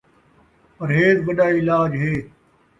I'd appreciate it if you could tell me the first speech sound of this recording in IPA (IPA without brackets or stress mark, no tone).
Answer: p